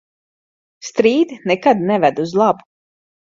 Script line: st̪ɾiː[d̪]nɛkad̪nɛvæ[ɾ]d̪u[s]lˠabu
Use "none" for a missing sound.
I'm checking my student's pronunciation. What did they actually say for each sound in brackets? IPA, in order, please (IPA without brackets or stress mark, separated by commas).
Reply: d̪, none, z